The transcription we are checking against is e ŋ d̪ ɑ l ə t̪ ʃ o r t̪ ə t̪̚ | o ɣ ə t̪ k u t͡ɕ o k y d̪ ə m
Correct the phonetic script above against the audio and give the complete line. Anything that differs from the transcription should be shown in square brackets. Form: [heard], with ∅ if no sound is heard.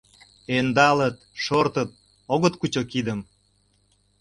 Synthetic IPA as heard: e [n] d̪ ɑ l ə t̪ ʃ o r t̪ ə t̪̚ | o ɣ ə t̪ k u t͡ɕ o k [i] d̪ ə m